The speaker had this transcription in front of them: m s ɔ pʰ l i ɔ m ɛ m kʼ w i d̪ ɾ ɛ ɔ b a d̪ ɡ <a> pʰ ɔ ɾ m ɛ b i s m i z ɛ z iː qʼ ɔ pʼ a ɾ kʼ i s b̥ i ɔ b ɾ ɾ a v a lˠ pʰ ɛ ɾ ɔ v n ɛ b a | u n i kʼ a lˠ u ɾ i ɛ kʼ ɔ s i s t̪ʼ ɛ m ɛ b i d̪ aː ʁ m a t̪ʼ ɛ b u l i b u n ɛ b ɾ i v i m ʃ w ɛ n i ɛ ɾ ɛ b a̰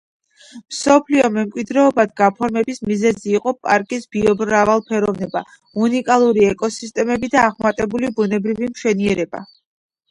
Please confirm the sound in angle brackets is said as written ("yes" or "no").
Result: yes